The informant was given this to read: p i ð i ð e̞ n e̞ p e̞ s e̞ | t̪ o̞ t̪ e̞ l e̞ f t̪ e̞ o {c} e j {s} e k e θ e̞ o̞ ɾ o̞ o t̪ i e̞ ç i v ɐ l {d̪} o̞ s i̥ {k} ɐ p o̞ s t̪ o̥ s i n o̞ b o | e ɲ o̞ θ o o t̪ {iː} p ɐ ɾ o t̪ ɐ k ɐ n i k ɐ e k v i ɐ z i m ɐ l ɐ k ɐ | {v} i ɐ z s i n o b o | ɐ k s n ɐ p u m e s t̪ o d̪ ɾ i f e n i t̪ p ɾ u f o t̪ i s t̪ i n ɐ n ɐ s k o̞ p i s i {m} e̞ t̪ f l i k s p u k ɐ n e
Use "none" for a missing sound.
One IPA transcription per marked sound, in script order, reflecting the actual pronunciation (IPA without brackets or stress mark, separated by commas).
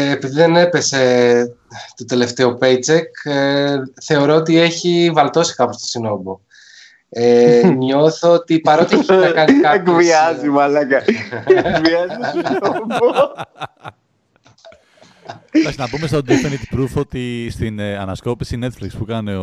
p, t͡s, t̪, k, i, v, n